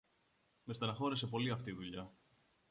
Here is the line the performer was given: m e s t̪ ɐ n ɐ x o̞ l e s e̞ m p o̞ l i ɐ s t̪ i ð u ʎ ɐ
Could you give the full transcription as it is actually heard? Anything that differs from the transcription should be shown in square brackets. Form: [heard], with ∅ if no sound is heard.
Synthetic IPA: m e s t̪ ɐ n ɐ x o̞ [ɾ] e s e̞ [∅] p o̞ l i ɐ [f] t̪ i ð u ʎ ɐ